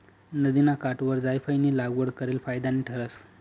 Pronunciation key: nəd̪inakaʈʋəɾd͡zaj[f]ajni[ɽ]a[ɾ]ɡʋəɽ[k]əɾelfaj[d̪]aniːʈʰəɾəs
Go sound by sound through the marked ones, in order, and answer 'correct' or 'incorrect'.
correct, incorrect, incorrect, correct, correct

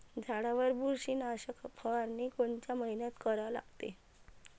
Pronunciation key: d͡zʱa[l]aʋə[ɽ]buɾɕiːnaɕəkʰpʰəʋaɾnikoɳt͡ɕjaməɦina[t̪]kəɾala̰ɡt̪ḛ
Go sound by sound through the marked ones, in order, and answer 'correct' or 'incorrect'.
incorrect, incorrect, correct

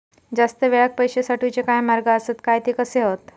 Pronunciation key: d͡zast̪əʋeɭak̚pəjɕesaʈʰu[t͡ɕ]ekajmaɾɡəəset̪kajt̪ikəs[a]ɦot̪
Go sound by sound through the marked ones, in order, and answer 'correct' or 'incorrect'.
correct, incorrect

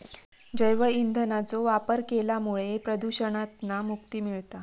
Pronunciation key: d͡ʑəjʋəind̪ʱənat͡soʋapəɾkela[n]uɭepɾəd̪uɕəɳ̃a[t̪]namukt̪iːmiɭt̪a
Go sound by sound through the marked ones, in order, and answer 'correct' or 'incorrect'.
incorrect, correct

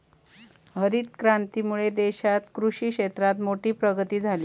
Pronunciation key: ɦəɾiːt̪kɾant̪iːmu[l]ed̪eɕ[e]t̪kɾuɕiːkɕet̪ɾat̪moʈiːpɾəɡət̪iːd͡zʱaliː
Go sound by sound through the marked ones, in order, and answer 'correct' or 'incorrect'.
incorrect, incorrect

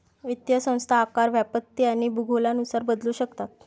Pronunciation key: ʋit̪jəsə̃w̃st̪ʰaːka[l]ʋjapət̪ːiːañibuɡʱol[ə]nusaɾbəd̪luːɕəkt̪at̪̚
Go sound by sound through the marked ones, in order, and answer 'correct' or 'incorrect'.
incorrect, incorrect

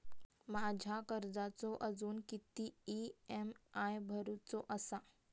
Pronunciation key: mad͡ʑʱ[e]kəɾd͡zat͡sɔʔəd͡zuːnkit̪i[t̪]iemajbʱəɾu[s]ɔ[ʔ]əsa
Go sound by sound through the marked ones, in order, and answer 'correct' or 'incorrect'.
incorrect, incorrect, incorrect, correct

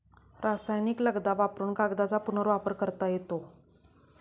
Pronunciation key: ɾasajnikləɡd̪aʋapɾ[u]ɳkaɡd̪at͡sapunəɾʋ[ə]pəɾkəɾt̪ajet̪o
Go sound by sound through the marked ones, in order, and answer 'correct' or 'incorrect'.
incorrect, incorrect

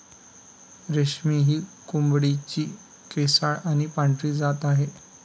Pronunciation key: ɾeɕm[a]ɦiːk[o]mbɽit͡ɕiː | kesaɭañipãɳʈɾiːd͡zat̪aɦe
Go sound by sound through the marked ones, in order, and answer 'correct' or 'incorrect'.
incorrect, incorrect

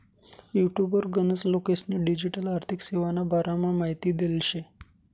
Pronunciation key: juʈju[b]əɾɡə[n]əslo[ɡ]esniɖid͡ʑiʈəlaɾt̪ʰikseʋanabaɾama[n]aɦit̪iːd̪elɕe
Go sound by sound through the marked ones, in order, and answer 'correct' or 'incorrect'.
correct, correct, incorrect, incorrect

